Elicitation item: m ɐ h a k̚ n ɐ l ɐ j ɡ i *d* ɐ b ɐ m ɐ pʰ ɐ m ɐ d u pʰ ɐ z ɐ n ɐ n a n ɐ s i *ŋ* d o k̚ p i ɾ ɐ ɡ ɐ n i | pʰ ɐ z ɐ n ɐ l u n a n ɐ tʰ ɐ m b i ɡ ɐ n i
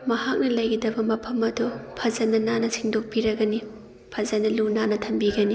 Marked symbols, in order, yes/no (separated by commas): yes, yes